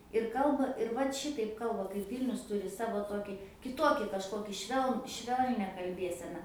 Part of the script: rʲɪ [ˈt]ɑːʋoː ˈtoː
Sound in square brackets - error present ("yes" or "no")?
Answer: yes